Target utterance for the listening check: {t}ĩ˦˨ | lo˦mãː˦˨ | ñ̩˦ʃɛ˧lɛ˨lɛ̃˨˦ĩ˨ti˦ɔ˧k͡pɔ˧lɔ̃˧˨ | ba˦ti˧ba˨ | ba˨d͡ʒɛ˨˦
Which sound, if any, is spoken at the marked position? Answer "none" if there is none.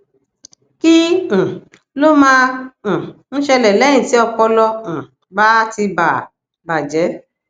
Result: k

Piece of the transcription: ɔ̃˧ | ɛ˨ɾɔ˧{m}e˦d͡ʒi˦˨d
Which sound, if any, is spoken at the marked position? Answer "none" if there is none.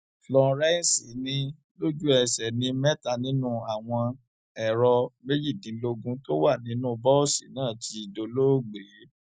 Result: m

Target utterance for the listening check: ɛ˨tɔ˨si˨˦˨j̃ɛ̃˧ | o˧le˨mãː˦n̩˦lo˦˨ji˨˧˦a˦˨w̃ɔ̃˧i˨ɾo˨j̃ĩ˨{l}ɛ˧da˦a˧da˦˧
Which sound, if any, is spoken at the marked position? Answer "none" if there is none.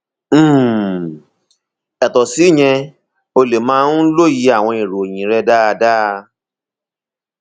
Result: ɾ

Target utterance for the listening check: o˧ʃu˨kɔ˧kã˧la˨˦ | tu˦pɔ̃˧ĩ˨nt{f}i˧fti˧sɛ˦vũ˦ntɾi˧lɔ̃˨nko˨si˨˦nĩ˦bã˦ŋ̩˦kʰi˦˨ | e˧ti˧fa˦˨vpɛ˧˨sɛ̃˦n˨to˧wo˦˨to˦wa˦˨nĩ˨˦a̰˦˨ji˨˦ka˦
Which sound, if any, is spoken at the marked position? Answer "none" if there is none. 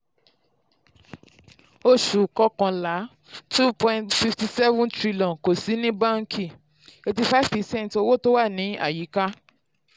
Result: f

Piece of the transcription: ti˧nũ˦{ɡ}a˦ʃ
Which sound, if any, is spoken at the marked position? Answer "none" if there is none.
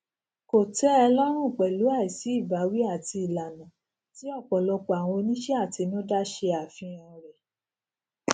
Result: d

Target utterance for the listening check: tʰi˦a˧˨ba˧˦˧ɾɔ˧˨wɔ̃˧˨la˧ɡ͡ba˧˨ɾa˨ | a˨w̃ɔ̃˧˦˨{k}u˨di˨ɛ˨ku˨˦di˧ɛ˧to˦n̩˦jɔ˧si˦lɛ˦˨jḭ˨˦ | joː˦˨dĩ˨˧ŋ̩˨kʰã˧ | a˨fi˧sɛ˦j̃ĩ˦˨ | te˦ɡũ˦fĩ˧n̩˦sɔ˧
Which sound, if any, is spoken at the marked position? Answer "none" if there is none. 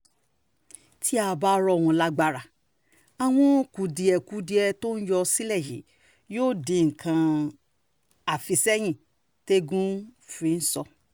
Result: k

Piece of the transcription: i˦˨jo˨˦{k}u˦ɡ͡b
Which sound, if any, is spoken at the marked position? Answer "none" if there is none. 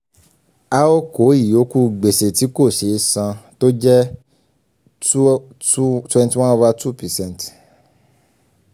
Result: k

